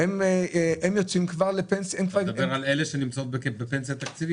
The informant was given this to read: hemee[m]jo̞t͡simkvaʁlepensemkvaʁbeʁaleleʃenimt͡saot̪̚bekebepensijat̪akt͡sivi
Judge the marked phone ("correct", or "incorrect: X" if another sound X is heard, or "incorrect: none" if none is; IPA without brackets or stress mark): correct